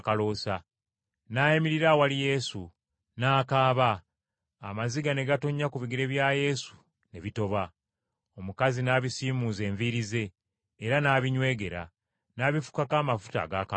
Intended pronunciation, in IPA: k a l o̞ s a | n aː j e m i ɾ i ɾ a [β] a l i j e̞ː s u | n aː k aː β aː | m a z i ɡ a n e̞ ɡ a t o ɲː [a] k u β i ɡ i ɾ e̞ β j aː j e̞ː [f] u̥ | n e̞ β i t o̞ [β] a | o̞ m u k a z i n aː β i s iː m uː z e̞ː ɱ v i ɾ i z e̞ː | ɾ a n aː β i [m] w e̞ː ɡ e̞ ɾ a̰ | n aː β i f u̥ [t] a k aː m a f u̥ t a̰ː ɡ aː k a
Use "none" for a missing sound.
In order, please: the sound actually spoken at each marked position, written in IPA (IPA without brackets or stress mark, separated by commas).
w, a, s, β, ɲ, k